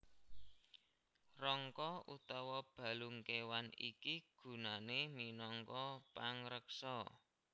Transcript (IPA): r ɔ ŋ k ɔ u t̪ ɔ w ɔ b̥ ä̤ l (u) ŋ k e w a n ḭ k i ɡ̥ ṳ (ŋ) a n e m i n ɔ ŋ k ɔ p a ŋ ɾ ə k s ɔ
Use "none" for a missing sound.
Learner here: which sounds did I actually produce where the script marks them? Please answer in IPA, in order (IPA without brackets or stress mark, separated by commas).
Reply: u, n